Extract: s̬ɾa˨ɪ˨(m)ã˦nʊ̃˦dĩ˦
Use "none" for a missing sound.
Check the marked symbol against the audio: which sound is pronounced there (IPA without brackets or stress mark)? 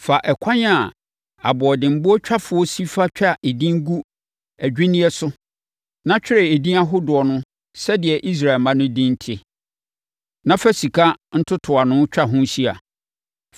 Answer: m